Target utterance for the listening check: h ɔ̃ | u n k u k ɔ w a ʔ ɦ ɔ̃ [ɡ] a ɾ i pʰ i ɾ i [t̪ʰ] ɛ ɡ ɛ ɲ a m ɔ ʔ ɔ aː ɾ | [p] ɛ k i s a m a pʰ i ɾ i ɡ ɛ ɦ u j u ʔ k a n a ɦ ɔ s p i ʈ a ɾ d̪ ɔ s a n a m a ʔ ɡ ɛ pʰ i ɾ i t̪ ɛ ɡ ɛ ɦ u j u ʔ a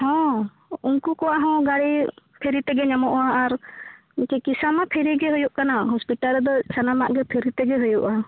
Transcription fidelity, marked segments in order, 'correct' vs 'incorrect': correct, incorrect: t̪, incorrect: k

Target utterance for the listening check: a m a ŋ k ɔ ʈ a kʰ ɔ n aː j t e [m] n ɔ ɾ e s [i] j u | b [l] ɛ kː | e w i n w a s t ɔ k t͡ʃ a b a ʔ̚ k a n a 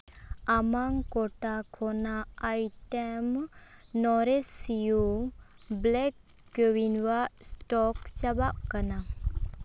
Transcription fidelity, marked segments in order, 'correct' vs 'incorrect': correct, correct, correct

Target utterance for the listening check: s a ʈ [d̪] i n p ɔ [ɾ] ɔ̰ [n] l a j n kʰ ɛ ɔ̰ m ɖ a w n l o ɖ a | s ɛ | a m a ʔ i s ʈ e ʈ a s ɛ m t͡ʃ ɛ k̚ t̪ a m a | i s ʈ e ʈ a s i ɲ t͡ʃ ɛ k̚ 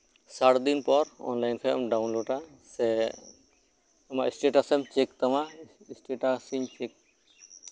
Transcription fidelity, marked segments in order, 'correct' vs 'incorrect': correct, correct, correct

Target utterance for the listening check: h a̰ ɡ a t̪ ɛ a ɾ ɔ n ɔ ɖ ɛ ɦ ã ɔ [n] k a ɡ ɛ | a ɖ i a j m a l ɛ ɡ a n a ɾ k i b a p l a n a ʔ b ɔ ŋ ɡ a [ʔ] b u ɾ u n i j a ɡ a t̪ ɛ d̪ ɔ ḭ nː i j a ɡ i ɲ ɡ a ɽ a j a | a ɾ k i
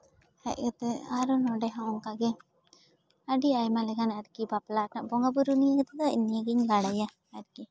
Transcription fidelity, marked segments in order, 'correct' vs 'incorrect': incorrect: ŋ, incorrect: none

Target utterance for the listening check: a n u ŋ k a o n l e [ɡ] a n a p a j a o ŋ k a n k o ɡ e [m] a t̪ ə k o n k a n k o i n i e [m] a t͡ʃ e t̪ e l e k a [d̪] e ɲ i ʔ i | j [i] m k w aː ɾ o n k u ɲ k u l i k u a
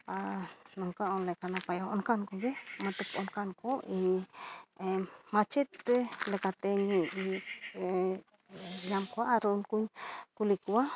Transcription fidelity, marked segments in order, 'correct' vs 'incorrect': incorrect: k, correct, correct, incorrect: t̪, incorrect: a

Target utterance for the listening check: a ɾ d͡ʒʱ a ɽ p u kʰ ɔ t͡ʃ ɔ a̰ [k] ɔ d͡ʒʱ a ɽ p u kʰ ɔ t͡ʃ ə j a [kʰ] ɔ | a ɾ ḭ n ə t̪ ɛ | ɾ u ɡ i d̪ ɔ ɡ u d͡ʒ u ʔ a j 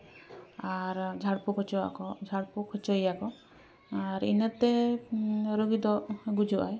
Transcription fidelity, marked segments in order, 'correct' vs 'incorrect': correct, incorrect: k

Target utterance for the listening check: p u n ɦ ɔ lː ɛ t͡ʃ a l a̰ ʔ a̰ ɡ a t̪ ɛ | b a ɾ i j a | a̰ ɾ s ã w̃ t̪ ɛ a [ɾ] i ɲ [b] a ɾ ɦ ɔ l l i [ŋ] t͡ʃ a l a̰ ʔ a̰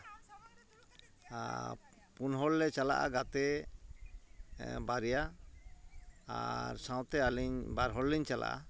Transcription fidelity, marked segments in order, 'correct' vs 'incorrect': incorrect: l, correct, incorrect: ɲ

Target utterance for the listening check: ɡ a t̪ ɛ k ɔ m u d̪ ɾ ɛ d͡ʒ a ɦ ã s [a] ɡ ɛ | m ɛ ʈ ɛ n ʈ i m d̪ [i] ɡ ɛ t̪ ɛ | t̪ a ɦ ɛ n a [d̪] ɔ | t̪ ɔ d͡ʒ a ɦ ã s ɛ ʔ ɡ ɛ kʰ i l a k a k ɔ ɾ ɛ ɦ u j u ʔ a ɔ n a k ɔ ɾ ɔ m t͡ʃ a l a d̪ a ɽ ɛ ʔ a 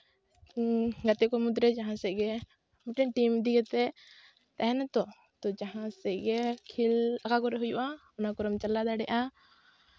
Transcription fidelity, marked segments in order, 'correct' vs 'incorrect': incorrect: ɛ, correct, incorrect: t̪

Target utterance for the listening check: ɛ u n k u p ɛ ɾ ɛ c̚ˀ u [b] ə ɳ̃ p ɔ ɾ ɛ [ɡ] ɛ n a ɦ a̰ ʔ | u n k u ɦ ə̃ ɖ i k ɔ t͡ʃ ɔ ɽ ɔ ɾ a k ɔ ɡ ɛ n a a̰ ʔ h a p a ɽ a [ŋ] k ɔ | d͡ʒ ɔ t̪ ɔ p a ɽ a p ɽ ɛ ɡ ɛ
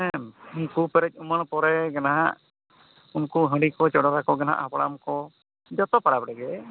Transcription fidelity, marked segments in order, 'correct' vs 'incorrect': incorrect: m, correct, incorrect: m

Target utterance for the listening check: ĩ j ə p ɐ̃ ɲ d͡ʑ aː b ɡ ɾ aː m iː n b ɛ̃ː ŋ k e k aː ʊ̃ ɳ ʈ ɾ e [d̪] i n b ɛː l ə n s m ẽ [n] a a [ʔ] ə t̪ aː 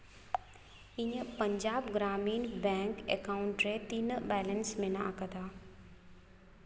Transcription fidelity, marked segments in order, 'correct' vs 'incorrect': incorrect: t̪, correct, incorrect: k

